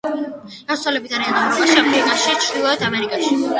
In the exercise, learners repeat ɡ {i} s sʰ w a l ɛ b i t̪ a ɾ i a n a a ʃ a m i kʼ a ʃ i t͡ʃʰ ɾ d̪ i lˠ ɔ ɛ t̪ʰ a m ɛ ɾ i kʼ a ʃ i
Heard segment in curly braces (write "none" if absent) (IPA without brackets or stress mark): a